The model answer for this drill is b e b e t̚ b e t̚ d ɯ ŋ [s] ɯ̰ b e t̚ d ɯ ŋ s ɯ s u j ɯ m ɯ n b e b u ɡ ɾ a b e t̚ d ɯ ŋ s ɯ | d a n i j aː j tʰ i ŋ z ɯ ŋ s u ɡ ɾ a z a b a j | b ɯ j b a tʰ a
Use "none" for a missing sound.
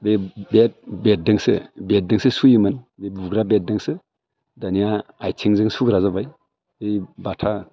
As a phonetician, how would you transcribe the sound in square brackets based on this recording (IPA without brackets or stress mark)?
s